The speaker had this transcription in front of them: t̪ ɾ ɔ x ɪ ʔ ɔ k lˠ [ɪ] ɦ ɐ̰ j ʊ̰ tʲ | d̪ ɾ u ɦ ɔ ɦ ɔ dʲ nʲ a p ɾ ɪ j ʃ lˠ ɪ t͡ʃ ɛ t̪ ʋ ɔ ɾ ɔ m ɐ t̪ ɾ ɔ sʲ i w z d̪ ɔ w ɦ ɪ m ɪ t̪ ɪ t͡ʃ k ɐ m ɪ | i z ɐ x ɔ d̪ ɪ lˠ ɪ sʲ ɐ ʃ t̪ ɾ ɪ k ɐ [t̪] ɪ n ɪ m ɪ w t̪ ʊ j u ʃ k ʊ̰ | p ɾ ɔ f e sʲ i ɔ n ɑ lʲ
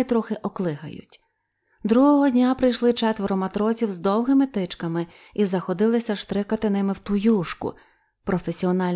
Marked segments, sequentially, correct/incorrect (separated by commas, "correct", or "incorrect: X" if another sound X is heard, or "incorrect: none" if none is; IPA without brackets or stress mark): correct, correct